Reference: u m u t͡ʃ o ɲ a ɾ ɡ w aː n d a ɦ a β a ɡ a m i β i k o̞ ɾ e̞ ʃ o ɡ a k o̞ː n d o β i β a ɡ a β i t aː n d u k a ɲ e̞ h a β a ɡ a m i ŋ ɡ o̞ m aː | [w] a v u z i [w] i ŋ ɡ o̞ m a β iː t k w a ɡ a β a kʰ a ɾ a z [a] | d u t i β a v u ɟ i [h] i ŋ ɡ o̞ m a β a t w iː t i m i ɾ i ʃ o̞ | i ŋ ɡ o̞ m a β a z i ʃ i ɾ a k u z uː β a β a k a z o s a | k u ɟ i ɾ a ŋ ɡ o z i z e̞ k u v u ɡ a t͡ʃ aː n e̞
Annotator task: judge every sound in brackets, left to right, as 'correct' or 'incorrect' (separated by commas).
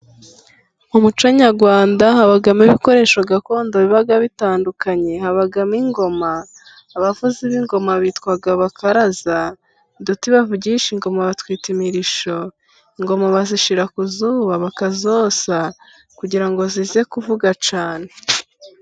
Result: incorrect, incorrect, correct, incorrect